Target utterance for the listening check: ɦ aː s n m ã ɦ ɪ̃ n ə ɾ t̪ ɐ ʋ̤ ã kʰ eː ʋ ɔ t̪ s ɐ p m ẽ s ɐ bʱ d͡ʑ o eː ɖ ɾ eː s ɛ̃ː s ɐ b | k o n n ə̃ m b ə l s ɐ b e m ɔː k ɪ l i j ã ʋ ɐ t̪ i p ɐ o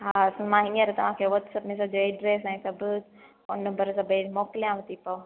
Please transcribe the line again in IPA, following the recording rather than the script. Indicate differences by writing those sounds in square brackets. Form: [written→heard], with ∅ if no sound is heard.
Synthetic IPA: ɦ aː s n m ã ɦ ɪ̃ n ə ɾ t̪ ɐ ʋ̤ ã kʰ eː ʋ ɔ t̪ s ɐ p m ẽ s ɐ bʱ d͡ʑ o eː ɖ ɾ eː s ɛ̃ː s ɐ b | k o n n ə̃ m b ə [l→ɾ] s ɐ b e m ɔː k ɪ l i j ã ʋ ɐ t̪ i p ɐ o